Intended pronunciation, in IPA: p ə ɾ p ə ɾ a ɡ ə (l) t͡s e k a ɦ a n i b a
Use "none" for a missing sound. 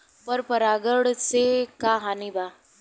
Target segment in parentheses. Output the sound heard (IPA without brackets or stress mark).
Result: ɽ